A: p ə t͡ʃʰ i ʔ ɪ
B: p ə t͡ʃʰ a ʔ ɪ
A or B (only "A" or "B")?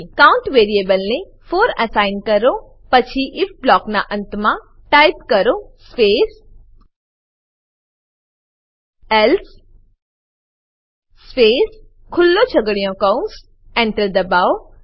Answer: A